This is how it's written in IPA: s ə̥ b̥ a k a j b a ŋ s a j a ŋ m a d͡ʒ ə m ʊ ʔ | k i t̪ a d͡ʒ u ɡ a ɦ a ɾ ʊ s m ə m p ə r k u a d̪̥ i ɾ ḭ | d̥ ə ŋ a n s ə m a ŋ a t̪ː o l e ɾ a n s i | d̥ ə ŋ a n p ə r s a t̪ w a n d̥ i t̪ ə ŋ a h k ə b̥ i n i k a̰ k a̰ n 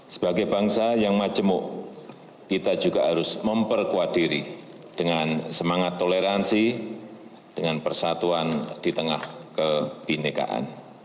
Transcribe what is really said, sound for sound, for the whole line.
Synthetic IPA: s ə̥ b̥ a ɡ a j b a ŋ s a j a ŋ m a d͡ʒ ə m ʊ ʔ | k i t̪ a d͡ʒ u ɡ a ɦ a ɾ ʊ s m ə m p ə r k u a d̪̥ i ɾ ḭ | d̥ ə ŋ a n s ə m a ŋ a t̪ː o l e ɾ a n s i | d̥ ə ŋ a n p ə r s a t̪ u a n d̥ i t̪ ə ŋ a h k ə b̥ i n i k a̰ ʔ a̰ n